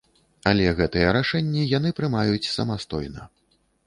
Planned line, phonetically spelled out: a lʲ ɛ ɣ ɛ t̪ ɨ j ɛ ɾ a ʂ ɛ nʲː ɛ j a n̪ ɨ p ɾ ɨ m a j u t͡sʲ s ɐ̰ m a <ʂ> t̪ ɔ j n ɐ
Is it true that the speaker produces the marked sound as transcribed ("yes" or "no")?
no